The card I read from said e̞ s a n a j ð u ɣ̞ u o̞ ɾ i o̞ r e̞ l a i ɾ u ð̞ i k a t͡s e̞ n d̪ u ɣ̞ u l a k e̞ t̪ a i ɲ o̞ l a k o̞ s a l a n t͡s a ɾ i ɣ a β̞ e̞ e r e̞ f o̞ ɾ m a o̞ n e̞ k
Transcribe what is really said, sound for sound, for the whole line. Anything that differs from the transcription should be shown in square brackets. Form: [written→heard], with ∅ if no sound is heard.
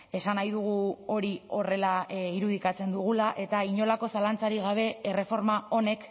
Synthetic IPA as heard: e̞ s a n a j ð u ɣ̞ u o̞ ɾ i o̞ r e̞ l a i ɾ u ð̞ i k a t͡s e̞ n d̪ u ɣ̞ u l a [k→ʔ] e̞ t̪ a i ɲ o̞ l a k o̞ s a l a n t͡s a ɾ i ɣ a β̞ e̞ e r e̞ f o̞ ɾ m a o̞ n e̞ k